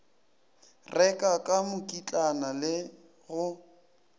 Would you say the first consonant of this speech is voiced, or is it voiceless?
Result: voiced